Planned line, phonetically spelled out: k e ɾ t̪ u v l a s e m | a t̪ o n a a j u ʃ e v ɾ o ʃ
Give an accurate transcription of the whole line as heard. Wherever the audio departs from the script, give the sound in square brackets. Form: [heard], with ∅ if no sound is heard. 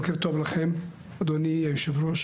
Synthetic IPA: k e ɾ t̪ [o] v l a [χ] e m | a [d̪] o n [i] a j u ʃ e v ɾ o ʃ